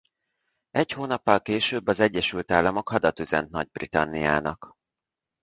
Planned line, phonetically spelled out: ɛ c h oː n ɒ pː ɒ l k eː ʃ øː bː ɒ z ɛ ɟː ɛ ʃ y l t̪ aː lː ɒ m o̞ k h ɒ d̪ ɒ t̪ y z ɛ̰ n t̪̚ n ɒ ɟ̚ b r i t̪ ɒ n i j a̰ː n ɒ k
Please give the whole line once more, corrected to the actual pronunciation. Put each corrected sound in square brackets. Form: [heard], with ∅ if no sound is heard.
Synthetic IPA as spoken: ɛ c h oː n ɒ pː ɒ l k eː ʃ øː bː ɒ z ɛ ɟː ɛ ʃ y l t̪ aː lː ɒ m o̞ k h ɒ d̪ ɒ t̪ y z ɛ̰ n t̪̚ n ɒ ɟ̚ b r i t̪ ɒ [nː] i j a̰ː n ɒ k